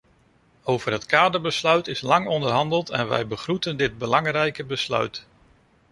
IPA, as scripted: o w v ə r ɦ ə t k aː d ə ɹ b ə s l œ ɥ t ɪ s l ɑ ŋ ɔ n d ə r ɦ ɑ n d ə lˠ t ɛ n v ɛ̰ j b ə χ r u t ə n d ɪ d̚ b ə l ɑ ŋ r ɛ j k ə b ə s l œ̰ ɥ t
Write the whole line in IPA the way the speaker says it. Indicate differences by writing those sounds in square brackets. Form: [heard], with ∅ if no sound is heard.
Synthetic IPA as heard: o w v ə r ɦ ə t k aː d ə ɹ b ə s l œ ɥ t ɪ s l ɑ ŋ ɔ n d ə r ɦ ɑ n d ə lˠ t ɛ n [ʋ] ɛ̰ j b ə χ r u t ə n d ɪ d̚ b ə l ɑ ŋ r ɛ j k ə b ə s l œ̰ ɥ t